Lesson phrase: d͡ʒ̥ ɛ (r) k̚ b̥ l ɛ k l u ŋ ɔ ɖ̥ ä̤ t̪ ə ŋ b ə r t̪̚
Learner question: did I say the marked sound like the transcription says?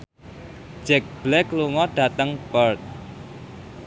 no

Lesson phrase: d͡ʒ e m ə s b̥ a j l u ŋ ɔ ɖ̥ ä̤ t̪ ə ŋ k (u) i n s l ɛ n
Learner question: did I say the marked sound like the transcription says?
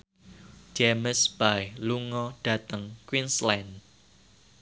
no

